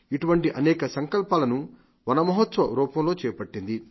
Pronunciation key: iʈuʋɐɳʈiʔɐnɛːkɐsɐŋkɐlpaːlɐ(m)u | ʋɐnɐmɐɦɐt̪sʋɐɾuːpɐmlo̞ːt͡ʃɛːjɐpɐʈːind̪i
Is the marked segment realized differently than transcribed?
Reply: yes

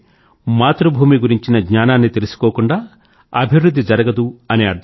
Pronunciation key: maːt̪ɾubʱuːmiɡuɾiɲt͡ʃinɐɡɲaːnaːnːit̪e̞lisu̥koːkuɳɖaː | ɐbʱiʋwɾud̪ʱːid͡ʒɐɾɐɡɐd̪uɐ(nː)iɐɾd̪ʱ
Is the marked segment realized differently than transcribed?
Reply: yes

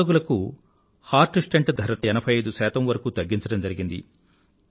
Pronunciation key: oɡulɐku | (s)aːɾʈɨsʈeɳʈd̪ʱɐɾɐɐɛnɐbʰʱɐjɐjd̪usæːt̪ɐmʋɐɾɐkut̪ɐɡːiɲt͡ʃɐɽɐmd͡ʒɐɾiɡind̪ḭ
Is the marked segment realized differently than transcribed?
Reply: yes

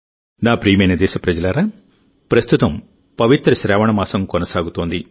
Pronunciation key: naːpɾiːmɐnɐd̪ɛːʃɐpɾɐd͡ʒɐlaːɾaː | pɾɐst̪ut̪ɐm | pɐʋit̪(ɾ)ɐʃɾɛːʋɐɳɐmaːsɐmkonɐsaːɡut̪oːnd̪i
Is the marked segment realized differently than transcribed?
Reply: no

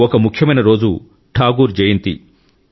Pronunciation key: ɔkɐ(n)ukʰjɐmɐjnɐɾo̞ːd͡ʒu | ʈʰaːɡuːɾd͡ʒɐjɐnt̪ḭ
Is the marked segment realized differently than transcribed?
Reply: yes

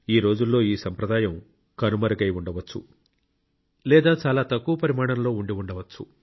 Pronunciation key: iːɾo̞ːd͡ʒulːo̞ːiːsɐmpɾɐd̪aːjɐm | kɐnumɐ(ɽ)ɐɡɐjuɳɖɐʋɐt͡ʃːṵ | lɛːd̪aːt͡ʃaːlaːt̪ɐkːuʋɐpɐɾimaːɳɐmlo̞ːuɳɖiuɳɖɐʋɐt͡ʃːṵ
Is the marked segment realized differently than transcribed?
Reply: yes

